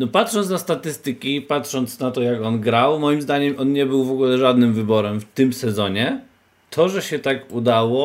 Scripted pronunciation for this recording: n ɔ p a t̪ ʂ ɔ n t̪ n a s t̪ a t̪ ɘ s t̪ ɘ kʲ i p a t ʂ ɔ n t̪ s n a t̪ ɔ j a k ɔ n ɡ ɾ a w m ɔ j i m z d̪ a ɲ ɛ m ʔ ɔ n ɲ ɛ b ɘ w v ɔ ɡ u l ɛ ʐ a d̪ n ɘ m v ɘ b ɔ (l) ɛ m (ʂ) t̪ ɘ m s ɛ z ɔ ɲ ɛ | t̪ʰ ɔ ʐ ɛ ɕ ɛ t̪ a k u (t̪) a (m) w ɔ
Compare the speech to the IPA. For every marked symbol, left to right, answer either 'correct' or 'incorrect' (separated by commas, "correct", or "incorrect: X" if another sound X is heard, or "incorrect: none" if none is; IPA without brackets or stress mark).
incorrect: ɾ, incorrect: f, incorrect: d̪, incorrect: none